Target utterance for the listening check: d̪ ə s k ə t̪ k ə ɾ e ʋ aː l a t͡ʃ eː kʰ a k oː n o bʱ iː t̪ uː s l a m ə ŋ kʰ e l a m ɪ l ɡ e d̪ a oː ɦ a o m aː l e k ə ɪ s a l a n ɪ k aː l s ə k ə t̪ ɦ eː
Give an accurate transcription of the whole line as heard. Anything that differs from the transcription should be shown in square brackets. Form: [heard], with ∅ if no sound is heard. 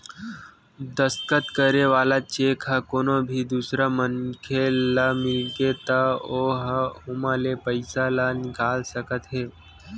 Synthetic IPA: d̪ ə s k ə t̪ k ə ɾ e ʋ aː l a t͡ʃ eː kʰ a k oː n o bʱ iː [d̪] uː s [ɾ] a m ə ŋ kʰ e l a m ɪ l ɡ e [t̪] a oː ɦ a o m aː l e [p] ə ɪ s a l a n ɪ k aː l s ə k ə t̪ ɦ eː